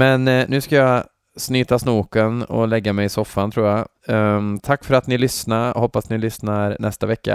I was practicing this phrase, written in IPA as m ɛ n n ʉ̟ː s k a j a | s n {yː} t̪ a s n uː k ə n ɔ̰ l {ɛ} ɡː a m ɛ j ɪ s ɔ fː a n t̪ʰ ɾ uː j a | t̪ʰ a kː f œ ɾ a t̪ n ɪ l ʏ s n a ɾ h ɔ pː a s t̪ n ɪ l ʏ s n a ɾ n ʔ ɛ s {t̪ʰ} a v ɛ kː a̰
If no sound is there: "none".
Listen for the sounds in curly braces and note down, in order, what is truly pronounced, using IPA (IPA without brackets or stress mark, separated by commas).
yː, ɛ, t̪